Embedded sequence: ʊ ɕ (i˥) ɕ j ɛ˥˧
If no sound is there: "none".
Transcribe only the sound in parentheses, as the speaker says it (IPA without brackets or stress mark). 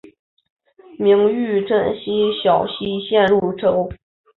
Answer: i˥